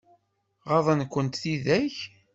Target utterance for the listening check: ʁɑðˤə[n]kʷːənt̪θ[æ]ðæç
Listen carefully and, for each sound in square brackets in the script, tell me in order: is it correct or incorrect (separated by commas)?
correct, incorrect